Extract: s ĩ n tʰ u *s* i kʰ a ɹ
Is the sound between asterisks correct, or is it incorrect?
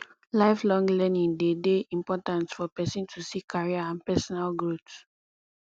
correct